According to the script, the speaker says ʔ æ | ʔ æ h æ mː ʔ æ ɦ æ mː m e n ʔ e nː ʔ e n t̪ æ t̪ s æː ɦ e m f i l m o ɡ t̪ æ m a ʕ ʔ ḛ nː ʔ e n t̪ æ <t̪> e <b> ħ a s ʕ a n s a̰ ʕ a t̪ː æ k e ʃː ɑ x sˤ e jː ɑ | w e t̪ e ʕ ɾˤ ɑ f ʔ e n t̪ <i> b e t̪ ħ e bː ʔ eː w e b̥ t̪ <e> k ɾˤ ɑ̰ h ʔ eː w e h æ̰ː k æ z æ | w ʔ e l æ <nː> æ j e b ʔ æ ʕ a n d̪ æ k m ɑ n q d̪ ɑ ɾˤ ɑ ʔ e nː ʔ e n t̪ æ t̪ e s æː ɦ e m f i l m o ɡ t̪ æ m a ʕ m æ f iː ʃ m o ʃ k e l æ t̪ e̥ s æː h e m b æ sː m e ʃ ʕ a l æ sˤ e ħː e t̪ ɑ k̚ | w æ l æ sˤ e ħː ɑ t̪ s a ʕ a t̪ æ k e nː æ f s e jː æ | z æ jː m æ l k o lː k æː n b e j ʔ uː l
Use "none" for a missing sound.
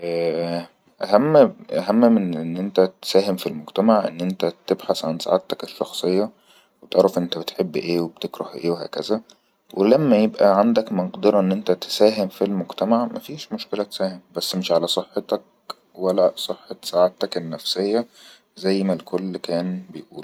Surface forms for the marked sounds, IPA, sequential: t̪, b, æ, e, mː

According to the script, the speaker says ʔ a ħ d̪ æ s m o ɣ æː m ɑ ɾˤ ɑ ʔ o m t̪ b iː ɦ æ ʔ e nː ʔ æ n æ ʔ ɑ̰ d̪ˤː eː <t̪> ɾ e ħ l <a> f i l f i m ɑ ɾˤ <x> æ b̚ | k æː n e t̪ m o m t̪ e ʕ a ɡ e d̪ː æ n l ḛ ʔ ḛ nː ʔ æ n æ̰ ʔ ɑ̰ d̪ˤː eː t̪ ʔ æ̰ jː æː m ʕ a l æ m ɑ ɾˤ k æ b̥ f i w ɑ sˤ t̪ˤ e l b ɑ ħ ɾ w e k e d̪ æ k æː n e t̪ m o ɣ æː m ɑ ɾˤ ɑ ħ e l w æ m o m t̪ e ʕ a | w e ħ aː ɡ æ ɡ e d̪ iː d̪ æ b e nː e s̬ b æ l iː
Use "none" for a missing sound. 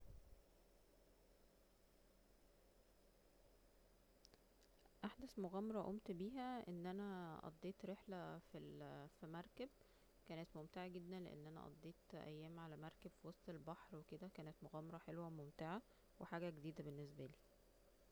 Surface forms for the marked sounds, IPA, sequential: t̪, æ, k

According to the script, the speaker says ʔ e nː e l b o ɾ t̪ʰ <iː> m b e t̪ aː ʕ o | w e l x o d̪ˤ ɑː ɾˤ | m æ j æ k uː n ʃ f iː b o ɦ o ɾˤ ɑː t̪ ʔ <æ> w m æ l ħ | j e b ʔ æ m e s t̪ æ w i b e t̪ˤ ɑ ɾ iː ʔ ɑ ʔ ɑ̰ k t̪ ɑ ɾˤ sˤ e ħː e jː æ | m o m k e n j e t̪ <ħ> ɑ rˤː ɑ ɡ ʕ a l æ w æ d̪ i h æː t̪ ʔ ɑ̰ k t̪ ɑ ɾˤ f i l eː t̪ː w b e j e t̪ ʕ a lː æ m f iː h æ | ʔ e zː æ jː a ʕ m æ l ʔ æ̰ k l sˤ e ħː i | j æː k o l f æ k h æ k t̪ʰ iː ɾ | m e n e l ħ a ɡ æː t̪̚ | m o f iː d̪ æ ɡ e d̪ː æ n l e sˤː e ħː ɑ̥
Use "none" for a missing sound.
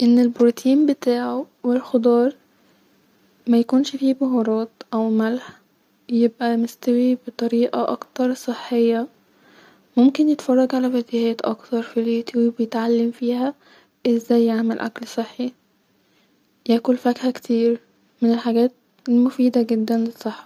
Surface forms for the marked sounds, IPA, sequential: iː, æ, f

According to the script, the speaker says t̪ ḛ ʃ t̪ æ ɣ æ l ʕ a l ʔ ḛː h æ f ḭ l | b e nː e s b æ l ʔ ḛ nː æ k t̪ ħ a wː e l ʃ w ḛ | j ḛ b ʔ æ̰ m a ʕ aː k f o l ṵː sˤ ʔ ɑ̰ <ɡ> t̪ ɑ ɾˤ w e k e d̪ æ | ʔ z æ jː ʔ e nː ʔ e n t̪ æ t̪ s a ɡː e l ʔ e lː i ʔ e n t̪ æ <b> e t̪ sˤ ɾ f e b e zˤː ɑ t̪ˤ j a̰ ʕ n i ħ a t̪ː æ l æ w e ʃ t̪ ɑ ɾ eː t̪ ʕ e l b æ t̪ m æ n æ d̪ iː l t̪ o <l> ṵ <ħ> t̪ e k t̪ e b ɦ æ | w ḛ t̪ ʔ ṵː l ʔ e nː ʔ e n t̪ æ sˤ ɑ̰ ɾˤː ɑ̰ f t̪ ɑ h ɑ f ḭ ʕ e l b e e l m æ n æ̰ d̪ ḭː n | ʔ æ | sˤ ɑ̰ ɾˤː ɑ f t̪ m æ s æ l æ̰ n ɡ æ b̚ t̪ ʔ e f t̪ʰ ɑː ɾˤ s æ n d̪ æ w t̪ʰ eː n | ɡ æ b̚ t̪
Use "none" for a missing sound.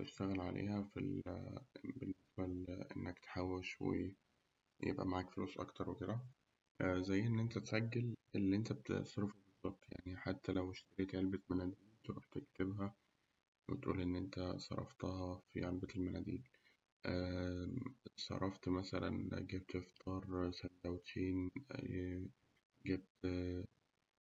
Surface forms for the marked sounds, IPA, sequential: k, b, ɾ, ħ

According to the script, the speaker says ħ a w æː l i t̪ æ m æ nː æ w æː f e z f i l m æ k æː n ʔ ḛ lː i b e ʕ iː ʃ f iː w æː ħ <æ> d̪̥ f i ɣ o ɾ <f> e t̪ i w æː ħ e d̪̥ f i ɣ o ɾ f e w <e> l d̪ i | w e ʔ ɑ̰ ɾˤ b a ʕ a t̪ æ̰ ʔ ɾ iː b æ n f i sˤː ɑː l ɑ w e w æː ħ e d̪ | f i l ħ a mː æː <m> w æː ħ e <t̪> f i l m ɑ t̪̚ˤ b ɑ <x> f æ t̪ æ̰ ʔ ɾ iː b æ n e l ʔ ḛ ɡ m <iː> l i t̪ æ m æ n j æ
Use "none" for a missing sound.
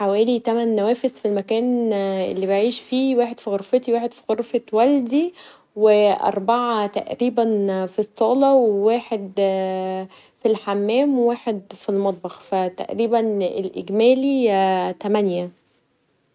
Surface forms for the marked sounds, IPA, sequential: e, f, æ, m, d̪, x, æː

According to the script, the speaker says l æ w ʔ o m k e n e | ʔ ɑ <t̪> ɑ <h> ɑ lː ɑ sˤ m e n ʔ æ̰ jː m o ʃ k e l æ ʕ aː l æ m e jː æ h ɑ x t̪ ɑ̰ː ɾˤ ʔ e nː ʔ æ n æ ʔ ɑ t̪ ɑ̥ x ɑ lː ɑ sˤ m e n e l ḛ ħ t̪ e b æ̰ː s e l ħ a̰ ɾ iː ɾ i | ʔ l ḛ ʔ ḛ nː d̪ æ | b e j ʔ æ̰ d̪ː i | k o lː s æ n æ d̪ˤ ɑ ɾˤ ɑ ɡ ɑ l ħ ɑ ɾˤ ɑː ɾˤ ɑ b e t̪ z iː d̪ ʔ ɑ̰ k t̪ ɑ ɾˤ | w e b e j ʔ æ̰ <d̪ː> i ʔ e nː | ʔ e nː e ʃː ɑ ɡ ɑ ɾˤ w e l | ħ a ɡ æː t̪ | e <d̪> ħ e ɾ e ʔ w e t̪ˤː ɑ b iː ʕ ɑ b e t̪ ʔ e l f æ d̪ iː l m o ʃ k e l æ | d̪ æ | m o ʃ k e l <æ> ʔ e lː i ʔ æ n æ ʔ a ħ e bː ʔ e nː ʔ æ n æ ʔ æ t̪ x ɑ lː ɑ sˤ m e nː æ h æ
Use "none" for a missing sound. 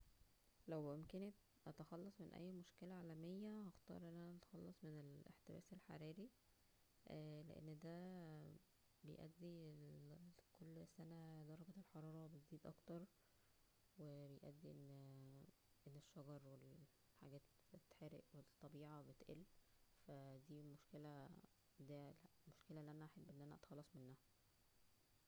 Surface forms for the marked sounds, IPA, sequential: t̪, x, d̪ː, t̪, æ

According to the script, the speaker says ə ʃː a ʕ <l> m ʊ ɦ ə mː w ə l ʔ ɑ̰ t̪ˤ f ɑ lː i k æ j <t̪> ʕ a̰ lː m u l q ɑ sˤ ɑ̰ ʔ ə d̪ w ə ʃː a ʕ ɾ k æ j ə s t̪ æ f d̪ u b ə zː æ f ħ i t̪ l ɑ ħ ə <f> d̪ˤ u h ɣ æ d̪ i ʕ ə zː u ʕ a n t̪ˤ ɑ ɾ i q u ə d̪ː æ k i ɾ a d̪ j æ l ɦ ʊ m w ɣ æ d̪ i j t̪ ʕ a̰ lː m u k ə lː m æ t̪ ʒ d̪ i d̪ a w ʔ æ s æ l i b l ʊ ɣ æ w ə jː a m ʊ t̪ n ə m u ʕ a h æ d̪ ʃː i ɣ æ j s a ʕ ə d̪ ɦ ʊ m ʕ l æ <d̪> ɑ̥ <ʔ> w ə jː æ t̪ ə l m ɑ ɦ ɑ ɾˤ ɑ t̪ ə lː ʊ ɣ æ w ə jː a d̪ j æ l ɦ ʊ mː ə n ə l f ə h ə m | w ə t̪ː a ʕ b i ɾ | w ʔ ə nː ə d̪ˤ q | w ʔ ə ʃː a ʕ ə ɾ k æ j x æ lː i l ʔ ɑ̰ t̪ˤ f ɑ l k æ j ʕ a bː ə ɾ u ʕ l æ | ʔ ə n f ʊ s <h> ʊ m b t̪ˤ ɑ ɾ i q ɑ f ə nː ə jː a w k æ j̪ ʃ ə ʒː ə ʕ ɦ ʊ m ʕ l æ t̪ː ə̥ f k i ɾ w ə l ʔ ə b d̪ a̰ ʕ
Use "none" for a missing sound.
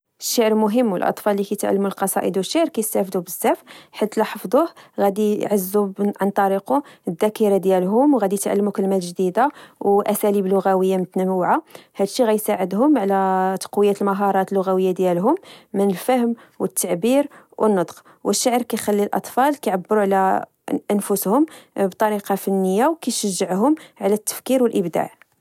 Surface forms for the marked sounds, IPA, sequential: ɾ, t̪, f, t̪, q, h

